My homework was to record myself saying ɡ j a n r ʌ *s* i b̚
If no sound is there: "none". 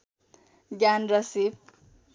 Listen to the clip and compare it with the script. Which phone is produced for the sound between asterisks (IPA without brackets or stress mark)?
s